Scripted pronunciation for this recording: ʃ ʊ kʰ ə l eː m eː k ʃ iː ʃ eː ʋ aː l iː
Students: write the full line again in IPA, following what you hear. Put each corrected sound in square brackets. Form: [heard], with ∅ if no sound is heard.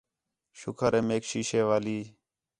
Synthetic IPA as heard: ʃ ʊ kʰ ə [ɾ] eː m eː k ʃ iː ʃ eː ʋ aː l iː

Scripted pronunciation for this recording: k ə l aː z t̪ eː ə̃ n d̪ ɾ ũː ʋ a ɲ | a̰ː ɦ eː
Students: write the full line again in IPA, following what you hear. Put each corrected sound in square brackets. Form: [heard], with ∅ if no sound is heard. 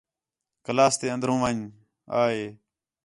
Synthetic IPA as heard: k ə l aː [s] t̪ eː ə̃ n d̪ ɾ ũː ʋ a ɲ | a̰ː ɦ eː

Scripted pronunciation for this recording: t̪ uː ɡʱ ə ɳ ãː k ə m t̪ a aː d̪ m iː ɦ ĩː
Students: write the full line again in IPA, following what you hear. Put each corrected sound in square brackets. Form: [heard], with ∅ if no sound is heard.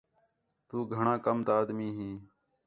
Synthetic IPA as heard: t̪ uː ɡʱ ə ɳ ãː k ə m t̪ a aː d̪ m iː ɦ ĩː

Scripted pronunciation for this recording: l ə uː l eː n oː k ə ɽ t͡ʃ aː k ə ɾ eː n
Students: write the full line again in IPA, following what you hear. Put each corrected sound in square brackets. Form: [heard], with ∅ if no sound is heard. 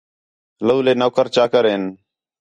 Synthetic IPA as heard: l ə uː l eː n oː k ə [ɾ] t͡ʃ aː k ə ɾ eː n

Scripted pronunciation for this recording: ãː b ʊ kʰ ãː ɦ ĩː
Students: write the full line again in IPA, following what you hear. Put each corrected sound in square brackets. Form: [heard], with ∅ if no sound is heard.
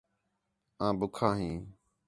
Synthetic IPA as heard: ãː b ʊ kʰ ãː ɦ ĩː

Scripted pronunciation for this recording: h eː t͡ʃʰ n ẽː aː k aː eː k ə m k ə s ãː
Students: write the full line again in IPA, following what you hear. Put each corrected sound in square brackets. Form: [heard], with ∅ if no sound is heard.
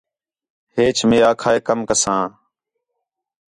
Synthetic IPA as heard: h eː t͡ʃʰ [m] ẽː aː [kʰ] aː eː k ə m k ə s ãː

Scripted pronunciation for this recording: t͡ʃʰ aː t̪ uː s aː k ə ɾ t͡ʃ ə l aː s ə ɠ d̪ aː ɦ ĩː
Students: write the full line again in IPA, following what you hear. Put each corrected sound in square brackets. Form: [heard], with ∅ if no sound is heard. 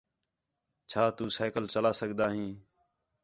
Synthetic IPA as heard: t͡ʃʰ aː t̪ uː s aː k ə [l] t͡ʃ ə l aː s ə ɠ d̪ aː ɦ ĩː

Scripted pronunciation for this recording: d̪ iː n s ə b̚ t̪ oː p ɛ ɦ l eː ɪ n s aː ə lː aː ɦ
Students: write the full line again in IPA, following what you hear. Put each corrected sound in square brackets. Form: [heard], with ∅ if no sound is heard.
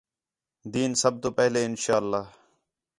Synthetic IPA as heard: d̪ iː n s ə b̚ t̪ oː p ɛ ɦ l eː ɪ n [ʃ] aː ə lː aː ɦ

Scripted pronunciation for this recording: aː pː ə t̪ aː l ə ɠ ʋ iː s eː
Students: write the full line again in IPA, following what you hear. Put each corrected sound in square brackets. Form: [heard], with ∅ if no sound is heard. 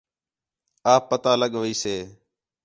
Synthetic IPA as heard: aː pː ə t̪ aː l ə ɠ ʋ iː s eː

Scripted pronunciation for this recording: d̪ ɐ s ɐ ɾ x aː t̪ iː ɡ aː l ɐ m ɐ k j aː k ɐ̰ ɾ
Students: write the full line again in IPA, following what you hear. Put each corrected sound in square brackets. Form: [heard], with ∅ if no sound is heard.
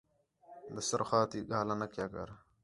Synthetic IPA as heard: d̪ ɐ s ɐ ɾ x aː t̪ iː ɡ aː l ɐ [n] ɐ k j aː k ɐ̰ ɾ

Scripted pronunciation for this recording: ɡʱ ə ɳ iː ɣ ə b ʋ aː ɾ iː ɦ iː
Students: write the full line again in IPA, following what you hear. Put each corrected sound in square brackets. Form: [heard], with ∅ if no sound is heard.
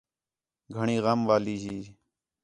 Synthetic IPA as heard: ɡʱ ə ɳ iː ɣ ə [m] ʋ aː [l] iː ɦ iː

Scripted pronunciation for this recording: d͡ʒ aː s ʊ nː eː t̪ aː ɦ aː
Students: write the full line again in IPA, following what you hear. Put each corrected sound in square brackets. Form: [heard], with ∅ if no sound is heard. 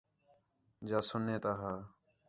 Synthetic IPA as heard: d͡ʒ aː s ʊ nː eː t̪ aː ɦ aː

